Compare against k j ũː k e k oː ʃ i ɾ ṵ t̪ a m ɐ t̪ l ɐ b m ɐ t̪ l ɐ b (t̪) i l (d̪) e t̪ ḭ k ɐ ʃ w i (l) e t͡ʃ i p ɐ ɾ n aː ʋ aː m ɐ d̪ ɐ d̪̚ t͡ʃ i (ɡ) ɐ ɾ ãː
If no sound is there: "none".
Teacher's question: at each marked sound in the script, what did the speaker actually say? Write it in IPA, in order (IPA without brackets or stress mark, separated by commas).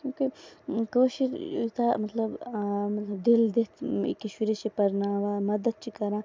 d̪, d̪, ɾ, k